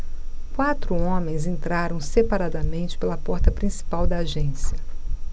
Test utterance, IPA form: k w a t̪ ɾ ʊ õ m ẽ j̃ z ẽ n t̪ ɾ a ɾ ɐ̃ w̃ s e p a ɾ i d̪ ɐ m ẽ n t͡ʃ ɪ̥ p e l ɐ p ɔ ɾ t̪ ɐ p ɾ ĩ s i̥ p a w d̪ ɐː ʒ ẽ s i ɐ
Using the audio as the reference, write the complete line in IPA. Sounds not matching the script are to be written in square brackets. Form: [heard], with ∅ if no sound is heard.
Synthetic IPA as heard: k w a t̪ ɾ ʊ õ m ẽ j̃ z ẽ n t̪ ɾ a ɾ ɐ̃ w̃ s e p a ɾ [a] d̪ ɐ m ẽ n t͡ʃ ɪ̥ p e l ɐ p ɔ ɾ t̪ ɐ p ɾ ĩ s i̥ p a w d̪ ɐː ʒ ẽ s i ɐ